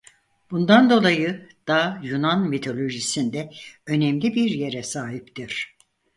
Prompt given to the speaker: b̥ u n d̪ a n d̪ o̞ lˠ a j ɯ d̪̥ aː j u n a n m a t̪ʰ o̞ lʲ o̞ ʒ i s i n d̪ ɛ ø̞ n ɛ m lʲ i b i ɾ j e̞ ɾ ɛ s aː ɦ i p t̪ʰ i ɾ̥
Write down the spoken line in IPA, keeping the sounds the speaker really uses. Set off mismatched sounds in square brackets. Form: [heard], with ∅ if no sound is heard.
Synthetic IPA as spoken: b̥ u n d̪ a n d̪ o̞ lˠ a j ɯ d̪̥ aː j u n a n m [i] t̪ʰ o̞ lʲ o̞ ʒ i s i n d̪ ɛ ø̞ n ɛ m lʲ i b i ɾ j e̞ ɾ ɛ s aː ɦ i p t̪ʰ i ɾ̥